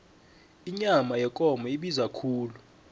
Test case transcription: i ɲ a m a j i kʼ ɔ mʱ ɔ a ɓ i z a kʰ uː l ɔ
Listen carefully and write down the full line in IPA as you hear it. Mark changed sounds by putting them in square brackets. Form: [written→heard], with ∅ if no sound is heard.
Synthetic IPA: i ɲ a m a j [i→ɛ] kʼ ɔ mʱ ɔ [a→i] ɓ i z a kʰ uː l [ɔ→u]